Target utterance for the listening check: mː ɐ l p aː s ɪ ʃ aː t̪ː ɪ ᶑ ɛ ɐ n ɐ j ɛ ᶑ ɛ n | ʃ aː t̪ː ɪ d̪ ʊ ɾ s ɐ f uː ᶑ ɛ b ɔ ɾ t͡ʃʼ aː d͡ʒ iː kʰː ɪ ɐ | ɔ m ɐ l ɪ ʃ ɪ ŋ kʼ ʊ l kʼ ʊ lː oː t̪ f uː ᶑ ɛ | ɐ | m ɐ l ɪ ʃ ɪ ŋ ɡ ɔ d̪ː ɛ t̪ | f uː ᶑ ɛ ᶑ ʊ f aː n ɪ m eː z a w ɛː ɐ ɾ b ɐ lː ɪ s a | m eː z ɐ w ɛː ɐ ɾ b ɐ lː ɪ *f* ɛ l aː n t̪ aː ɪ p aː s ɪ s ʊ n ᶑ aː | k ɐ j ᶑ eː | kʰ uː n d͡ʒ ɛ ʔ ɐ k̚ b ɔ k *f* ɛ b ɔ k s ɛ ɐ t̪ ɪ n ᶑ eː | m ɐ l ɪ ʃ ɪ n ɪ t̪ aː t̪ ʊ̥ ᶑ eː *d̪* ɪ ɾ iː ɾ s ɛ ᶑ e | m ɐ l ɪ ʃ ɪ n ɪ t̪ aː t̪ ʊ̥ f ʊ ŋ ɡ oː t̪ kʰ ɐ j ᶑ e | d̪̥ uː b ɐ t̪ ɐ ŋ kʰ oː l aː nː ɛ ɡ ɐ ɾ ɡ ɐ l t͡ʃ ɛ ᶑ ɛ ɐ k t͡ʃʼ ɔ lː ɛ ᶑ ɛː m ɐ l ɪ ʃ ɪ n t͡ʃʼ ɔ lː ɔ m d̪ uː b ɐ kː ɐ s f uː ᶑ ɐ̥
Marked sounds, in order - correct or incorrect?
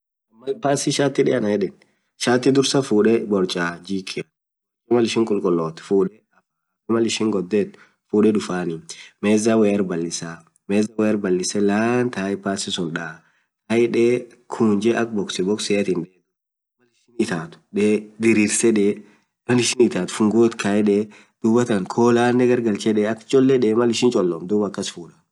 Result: incorrect: s, incorrect: s, correct

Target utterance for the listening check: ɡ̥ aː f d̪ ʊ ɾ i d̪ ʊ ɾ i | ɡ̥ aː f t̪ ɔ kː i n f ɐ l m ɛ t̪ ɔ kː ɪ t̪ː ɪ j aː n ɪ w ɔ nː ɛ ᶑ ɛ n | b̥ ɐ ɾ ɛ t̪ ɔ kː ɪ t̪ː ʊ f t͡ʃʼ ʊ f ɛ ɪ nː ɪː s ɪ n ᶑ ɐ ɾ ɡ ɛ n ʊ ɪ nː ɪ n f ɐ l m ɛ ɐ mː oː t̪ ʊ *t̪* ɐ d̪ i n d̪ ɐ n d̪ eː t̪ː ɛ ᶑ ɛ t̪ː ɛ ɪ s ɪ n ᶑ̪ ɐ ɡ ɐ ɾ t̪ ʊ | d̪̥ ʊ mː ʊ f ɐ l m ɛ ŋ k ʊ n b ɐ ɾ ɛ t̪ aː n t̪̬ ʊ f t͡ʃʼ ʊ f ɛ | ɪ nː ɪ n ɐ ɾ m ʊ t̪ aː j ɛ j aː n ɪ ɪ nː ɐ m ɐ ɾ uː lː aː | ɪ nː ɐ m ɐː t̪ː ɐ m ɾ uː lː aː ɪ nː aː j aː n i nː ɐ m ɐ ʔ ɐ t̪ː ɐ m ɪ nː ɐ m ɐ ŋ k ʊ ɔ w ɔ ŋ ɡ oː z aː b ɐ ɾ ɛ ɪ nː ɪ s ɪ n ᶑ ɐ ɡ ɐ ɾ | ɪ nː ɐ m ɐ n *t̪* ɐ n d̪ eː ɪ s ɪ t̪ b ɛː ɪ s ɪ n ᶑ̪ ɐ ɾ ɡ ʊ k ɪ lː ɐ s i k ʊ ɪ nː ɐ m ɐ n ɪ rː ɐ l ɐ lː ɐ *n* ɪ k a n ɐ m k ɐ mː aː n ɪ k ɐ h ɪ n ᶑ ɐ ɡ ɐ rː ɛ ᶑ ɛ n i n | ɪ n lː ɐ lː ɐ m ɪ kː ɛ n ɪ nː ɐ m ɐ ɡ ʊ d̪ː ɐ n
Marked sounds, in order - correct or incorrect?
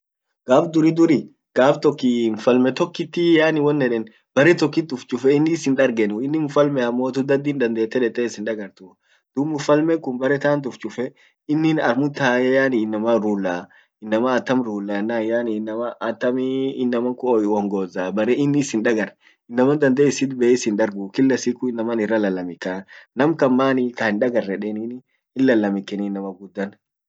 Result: incorrect: d̪, incorrect: d̪, incorrect: m

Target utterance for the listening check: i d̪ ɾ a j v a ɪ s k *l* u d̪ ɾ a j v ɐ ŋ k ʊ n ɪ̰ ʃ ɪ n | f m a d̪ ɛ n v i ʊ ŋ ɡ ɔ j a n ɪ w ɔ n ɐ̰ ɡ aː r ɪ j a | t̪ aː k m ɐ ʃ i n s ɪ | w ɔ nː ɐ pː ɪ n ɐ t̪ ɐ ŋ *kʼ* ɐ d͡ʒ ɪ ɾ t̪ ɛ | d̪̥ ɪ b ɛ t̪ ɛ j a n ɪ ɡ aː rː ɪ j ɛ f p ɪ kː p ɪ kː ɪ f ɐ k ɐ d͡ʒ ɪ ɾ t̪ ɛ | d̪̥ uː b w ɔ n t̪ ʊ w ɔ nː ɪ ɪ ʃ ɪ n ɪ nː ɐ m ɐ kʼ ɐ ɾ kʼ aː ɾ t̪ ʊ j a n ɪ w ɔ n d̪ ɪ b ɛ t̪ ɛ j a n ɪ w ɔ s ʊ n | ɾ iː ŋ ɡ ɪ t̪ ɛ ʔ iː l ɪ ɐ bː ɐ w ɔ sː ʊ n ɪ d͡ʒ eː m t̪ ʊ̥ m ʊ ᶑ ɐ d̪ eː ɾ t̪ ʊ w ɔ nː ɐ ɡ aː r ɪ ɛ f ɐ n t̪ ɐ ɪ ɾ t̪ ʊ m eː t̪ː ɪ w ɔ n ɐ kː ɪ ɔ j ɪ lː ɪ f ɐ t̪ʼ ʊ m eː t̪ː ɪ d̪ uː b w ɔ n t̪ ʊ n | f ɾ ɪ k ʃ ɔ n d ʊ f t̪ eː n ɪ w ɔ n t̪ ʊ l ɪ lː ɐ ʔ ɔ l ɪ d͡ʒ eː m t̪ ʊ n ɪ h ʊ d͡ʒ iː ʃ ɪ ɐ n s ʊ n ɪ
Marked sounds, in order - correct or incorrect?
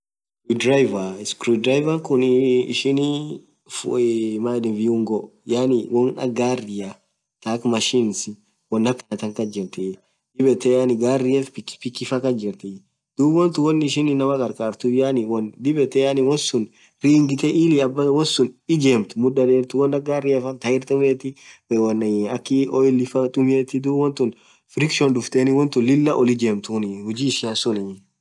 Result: incorrect: ɾ, incorrect: k

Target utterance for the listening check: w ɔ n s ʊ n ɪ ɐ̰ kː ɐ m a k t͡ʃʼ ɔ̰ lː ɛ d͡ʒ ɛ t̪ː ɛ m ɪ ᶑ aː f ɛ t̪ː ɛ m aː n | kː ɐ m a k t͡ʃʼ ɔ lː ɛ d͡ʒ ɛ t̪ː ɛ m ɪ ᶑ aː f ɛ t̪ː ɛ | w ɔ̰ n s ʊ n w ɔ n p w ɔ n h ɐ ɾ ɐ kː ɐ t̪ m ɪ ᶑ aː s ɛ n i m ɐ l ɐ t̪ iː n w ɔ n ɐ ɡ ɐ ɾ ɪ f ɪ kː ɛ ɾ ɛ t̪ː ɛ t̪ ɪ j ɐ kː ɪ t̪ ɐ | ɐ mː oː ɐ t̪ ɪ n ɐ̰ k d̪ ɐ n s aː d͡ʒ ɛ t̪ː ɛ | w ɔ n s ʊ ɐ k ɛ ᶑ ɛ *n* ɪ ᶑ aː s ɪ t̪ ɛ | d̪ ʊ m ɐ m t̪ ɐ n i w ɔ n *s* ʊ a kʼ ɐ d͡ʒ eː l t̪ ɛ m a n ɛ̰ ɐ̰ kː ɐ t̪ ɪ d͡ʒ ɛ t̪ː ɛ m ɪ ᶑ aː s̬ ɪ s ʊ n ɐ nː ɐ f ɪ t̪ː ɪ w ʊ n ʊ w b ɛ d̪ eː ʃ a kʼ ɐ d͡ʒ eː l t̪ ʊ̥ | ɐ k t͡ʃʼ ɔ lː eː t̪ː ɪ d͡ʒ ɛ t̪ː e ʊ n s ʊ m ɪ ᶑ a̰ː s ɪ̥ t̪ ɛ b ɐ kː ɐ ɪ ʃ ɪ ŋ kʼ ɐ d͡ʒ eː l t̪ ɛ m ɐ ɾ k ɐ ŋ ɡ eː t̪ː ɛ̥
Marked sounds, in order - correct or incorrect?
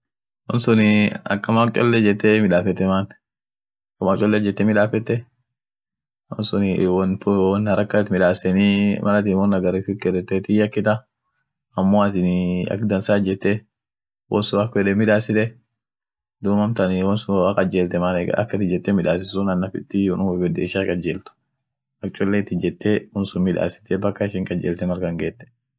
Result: incorrect: m, correct

